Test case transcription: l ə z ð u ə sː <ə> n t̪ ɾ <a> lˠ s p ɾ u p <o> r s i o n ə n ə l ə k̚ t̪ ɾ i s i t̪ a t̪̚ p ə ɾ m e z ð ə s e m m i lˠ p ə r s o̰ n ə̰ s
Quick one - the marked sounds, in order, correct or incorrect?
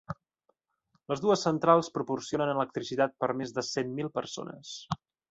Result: correct, correct, incorrect

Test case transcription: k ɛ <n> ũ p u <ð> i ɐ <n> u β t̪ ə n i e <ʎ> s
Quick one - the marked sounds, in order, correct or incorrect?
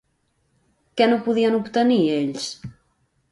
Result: correct, correct, correct, correct

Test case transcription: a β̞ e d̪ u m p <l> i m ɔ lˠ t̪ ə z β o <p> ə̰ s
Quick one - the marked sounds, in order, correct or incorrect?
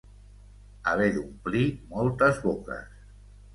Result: correct, incorrect

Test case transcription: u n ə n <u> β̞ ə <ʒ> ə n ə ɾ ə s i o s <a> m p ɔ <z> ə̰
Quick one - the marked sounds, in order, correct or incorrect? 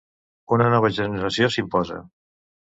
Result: incorrect, correct, incorrect, correct

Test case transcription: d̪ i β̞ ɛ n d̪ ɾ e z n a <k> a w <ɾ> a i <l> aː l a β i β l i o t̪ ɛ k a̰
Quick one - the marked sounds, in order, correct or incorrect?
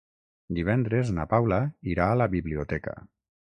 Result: incorrect, incorrect, incorrect

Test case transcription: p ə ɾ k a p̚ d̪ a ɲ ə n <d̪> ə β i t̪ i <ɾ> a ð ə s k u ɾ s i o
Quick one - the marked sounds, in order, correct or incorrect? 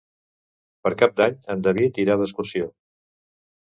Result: correct, correct

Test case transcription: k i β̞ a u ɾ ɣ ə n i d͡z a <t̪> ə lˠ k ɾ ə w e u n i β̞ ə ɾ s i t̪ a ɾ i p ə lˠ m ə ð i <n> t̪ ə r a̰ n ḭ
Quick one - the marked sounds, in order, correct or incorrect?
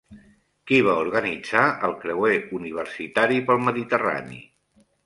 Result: incorrect, incorrect

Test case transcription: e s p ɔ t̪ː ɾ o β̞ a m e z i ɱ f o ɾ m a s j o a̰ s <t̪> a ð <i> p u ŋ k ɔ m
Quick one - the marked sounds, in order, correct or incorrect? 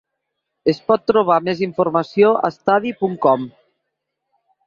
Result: correct, correct

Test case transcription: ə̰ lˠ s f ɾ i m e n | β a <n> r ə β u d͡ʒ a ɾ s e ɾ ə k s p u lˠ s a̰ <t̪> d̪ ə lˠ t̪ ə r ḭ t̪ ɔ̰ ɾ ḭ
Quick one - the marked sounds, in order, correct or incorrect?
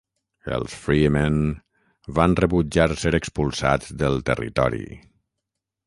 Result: correct, correct

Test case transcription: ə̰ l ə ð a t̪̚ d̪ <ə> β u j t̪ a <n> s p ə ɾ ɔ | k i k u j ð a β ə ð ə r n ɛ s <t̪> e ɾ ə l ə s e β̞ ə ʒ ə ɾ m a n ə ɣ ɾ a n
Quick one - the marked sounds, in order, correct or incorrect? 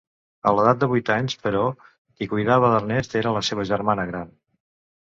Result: correct, incorrect, correct

